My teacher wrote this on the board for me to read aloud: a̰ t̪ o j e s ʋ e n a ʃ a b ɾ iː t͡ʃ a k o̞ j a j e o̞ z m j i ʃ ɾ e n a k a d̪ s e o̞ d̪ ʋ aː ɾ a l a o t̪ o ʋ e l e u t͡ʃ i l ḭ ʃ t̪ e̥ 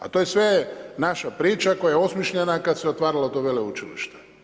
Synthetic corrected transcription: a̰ t̪ o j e s ʋ e n a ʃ a p ɾ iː t͡ʃ a k o̞ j a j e o̞ s m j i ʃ ʎ e n a k a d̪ s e o̞ t̪ ʋ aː ɾ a l a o t̪ o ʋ e l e u t͡ʃ i l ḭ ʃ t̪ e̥